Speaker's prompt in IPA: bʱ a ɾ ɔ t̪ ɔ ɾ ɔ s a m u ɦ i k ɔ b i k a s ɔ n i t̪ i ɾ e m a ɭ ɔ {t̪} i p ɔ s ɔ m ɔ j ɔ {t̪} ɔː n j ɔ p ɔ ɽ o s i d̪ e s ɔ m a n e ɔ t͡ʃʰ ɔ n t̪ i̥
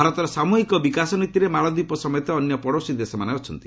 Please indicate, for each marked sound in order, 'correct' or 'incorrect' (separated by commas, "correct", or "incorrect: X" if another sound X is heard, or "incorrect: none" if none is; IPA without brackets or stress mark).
incorrect: d̪, correct